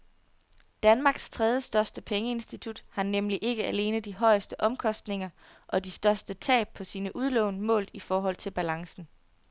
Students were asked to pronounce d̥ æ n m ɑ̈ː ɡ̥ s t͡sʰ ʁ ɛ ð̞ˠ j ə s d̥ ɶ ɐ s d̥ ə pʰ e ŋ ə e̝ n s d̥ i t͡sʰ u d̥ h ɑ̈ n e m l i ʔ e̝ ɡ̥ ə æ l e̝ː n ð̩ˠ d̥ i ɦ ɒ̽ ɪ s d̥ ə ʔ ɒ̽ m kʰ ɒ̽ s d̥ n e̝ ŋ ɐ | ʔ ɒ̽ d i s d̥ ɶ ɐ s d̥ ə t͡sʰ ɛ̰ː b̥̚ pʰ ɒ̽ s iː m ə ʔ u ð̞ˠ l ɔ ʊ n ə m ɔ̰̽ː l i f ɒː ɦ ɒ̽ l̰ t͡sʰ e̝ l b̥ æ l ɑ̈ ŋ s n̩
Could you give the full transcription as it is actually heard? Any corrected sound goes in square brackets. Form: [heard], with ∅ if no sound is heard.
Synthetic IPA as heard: d̥ æ n m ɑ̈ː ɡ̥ s t͡sʰ ʁ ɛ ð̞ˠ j ə s d̥ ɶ ɐ s d̥ ə pʰ e ŋ ə e̝ n s d̥ i t͡sʰ u d̥ h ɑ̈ n e m l i ʔ e̝ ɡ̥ ə æ l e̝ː n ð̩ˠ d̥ i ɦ ɒ̽ ɪ s d̥ ə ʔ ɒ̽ m kʰ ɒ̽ s d̥ n e̝ ŋ ɐ | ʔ ɒ̽ d i s d̥ ɶ ɐ s d̥ ə t͡sʰ ɛ̰ː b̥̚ pʰ ɒ̽ s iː [n] ə ʔ u ð̞ˠ l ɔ ʊ n ə m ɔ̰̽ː l i f ɒː ɦ ɒ̽ l̰ t͡sʰ e̝ l b̥ æ l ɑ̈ ŋ s n̩